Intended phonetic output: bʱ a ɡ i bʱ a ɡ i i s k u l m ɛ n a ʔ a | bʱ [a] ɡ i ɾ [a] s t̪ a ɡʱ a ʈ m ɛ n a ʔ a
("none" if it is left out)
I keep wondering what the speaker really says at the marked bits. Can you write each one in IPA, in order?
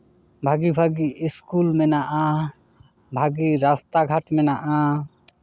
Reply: a, a

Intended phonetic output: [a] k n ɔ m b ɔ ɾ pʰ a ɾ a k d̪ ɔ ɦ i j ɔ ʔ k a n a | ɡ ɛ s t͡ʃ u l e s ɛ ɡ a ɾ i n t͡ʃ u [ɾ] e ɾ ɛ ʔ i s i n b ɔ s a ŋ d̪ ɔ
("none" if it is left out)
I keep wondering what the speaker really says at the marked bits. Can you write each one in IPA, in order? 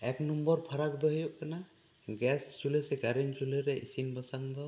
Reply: ɛ, l

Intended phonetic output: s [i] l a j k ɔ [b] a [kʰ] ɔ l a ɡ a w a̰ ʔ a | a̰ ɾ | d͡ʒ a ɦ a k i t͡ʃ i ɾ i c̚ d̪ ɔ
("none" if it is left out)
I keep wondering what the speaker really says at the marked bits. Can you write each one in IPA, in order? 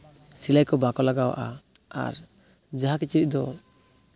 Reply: i, b, k

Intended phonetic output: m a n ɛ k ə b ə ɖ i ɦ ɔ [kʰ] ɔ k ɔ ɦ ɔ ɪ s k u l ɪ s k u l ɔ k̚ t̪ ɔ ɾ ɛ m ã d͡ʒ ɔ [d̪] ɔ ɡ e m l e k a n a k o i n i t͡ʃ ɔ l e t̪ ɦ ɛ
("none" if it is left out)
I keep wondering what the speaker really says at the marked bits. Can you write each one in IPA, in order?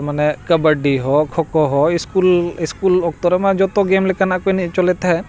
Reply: kʰ, t̪

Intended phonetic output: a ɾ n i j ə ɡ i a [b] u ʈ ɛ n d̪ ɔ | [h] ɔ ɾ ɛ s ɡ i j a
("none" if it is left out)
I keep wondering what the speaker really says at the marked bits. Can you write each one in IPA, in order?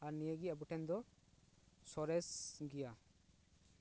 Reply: b, s

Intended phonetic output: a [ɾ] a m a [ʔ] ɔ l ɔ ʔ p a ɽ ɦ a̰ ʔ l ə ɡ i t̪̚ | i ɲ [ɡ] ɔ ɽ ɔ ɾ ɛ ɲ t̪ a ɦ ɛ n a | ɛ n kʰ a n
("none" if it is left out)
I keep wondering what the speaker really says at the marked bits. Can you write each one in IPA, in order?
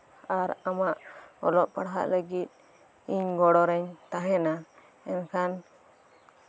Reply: ɾ, ʔ, ɡ

